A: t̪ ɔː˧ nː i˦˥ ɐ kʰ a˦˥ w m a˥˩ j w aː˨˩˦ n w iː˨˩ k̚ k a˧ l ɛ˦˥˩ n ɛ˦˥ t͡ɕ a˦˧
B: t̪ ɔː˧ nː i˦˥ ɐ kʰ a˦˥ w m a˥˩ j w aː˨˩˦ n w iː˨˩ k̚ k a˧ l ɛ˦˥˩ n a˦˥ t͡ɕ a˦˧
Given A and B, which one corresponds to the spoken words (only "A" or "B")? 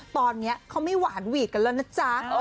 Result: B